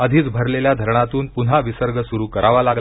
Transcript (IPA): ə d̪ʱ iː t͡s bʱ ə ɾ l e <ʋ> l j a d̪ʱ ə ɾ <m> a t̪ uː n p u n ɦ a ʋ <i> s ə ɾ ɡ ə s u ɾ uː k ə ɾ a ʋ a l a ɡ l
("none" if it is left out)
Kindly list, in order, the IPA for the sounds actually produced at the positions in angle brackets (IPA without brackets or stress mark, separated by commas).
none, ɳ, i